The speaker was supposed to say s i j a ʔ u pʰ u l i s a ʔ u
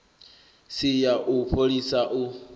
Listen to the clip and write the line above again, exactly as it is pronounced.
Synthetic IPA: s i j a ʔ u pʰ o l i s a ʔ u